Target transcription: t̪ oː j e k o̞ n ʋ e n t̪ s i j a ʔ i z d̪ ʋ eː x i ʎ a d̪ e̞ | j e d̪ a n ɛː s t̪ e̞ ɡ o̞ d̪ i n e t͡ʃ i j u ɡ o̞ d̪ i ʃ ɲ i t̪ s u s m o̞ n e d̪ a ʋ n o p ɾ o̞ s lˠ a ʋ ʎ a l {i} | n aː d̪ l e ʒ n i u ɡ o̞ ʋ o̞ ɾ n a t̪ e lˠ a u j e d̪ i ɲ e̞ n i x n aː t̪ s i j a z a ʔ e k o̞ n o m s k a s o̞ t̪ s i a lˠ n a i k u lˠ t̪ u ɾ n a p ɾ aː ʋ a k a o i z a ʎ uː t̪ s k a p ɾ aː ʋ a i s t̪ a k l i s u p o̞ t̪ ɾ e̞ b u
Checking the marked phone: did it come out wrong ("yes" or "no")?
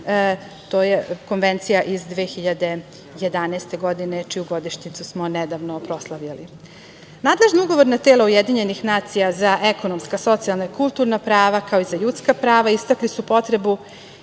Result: no